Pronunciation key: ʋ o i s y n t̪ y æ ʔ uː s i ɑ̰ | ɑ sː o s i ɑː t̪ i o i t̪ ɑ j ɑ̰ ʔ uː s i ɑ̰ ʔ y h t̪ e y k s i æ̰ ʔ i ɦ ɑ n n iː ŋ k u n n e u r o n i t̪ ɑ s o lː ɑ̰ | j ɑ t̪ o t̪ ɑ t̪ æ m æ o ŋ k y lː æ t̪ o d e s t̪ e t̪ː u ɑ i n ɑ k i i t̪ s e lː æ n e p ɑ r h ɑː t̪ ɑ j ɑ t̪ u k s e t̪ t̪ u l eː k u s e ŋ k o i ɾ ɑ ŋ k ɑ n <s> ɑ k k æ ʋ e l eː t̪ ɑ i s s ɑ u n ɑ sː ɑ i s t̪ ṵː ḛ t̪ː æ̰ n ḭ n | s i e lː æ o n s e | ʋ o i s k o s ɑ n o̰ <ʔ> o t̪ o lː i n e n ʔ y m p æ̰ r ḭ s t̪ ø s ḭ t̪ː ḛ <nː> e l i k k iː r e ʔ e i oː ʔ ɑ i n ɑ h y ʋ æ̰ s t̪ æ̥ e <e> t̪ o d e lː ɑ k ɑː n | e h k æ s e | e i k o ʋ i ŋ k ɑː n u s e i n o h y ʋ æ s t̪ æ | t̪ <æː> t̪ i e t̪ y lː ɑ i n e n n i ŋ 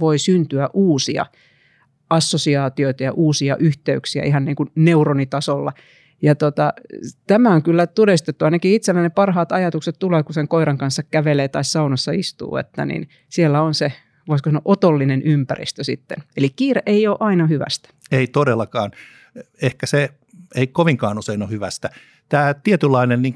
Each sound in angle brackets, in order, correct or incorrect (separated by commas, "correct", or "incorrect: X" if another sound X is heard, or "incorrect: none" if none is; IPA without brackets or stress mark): incorrect: sː, correct, incorrect: n, incorrect: i, correct